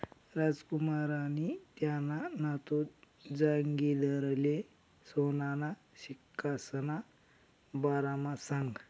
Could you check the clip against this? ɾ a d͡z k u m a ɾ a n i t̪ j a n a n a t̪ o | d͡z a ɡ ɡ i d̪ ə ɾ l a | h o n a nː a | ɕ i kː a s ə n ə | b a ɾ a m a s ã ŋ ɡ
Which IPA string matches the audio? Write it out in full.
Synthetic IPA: ɾ a d͡z k u m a ɾ a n i t̪ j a n a n a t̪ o | d͡z a ŋ ɡ i d̪ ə ɾ l e | s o n a n a | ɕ i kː a s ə n a | b a ɾ a m a s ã ŋ ɡ